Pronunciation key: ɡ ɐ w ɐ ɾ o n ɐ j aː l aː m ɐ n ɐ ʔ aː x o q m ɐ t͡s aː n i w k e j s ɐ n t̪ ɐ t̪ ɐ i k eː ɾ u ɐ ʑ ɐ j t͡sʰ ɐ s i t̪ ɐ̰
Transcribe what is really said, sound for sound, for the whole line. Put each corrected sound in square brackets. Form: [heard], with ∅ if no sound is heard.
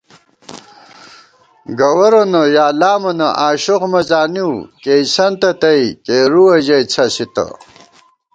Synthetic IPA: ɡ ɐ w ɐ ɾ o n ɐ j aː l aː m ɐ n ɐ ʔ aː [ɕ] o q m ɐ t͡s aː n i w k e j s ɐ n t̪ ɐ t̪ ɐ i k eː ɾ u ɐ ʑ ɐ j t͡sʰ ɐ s i t̪ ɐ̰